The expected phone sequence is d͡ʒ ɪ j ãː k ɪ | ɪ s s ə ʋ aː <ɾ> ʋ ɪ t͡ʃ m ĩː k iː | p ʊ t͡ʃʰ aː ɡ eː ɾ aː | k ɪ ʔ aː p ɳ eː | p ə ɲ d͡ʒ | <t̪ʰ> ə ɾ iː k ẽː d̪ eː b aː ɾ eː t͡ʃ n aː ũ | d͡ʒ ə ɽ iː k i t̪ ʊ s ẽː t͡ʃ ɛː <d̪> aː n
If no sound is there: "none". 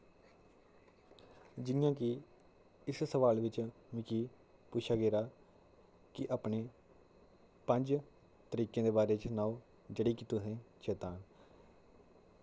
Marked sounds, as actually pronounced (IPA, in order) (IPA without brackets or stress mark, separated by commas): l, t̪, t̪